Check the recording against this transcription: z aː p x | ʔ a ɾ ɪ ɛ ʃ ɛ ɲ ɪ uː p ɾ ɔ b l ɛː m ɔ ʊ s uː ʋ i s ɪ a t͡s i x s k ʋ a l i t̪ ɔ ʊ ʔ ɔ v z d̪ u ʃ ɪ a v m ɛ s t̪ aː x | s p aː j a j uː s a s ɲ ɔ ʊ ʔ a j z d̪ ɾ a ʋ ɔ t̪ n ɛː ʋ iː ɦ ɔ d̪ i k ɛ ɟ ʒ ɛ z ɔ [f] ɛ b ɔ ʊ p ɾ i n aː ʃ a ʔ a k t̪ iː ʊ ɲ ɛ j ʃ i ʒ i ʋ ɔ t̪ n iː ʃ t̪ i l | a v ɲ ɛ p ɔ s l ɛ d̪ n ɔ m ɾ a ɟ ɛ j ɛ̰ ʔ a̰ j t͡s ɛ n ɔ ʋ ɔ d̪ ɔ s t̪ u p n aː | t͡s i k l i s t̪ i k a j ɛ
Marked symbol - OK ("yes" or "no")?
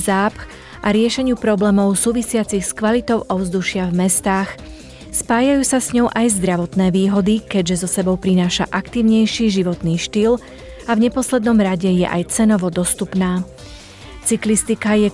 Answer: no